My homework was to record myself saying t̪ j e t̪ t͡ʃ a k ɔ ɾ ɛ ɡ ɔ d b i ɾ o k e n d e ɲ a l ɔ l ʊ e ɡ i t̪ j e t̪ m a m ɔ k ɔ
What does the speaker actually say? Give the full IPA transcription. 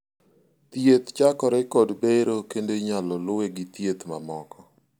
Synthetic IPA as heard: t̪ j e t̪ t͡ʃ a k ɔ ɾ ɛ k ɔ d b e ɾ o k e n d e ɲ a l ɔ l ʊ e ɡ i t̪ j e t̪ m a m ɔ k ɔ